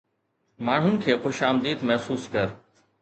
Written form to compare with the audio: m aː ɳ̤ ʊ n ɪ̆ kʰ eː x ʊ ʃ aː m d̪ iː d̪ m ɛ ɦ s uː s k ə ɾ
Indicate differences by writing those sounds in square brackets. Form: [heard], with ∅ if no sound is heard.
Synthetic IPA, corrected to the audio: m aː ɳ̤ ʊ n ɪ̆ kʰ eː x ʊ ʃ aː m d̪ iː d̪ m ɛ ɦ s uː s k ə ɾ